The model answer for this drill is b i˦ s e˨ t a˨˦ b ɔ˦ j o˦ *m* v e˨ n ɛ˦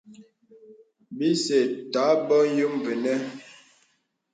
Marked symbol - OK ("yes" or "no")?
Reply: yes